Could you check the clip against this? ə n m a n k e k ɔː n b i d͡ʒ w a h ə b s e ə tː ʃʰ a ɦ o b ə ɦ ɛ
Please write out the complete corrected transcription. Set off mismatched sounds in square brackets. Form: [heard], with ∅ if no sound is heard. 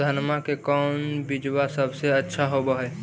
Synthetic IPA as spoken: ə n m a [∅] k e k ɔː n b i d͡ʒ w a [s] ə b s e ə tː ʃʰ a ɦ o b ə ɦ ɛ